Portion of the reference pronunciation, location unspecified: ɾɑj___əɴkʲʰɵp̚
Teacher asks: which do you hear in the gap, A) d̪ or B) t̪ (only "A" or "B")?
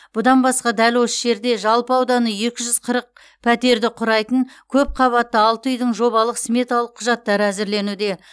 B